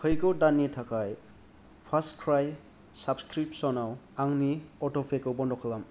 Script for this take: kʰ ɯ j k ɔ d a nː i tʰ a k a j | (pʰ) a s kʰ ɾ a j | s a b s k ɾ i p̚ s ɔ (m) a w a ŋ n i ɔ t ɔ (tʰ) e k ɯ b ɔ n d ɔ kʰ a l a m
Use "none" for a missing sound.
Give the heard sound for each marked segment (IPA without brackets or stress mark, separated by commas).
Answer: pʰ, n, pʰ